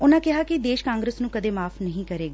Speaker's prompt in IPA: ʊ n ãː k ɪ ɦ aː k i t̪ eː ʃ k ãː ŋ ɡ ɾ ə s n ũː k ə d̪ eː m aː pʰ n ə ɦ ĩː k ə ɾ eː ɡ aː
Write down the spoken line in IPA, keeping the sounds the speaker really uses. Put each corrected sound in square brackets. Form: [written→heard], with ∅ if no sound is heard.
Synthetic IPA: ʊ n ãː k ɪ ɦ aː k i [t̪→d̪] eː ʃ k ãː ŋ ɡ ɾ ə s n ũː k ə d̪ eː m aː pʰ n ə ɦ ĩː k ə ɾ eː ɡ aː